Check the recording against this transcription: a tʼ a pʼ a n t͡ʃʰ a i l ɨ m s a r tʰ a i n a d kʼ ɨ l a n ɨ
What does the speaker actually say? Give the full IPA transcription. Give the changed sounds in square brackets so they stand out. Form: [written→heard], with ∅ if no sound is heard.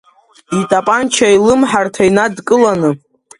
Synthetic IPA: [a→i] tʼ a pʼ a n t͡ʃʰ a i l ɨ m [s→ħ] a r tʰ a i n a d kʼ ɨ l a n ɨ